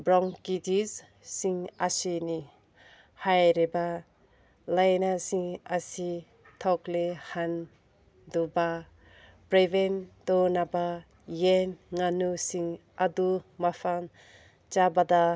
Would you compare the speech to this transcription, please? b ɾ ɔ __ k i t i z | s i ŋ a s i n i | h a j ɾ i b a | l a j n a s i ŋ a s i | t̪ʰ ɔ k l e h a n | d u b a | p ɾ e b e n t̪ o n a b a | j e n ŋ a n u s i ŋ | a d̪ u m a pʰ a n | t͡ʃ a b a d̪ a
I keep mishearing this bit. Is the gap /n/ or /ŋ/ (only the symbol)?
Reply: ŋ